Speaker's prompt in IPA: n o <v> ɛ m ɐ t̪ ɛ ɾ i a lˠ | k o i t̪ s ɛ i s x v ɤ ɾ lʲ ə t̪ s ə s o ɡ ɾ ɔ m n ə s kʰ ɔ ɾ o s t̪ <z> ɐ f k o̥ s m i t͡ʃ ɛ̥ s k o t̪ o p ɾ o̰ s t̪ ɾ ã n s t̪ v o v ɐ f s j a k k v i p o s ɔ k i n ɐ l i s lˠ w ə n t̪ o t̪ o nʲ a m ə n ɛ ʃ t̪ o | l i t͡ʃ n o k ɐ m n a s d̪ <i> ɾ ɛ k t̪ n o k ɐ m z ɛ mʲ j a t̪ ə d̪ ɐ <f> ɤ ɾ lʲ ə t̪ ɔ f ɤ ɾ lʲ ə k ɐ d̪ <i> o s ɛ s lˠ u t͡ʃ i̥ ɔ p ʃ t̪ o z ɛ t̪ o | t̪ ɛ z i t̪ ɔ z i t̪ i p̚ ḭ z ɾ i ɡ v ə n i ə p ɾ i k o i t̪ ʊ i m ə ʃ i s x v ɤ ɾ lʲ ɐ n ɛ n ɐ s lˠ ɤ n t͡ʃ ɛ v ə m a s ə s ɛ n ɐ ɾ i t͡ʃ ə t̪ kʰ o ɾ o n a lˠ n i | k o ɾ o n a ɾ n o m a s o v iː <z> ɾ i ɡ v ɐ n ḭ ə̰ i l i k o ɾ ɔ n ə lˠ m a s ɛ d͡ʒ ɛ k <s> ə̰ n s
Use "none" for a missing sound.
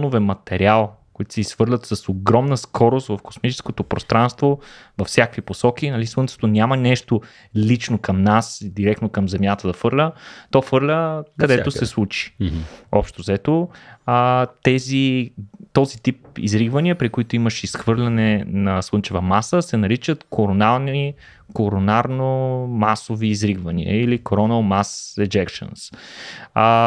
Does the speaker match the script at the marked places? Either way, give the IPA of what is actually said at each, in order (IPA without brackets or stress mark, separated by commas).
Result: v, v, i, f, ɛ, z, ʃ